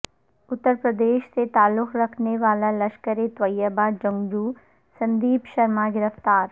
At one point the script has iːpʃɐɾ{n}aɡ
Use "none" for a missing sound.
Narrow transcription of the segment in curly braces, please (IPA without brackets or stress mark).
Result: m